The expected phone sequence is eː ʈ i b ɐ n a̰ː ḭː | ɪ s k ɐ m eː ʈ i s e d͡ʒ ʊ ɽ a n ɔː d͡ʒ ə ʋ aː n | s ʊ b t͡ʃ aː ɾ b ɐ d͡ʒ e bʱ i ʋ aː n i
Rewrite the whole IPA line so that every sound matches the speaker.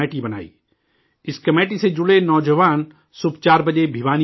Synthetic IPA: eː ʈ i b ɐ n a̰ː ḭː | ɪ s k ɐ m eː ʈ i s e d͡ʒ ʊ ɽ e n ɔː d͡ʒ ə ʋ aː n | s ʊ b t͡ʃ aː ɾ b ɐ d͡ʒ e bʱ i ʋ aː n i